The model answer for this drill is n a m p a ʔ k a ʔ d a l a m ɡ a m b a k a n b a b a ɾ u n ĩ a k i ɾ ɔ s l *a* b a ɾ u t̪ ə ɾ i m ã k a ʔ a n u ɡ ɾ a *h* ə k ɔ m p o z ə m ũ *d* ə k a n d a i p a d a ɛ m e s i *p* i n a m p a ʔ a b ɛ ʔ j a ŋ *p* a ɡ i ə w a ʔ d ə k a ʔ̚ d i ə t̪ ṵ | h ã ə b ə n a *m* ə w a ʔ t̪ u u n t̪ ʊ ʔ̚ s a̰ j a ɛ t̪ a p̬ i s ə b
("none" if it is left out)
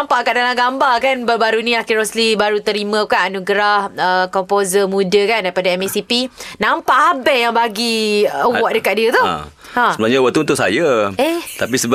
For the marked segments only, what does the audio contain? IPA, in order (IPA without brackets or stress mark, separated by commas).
i, h, d, p, b, ɲ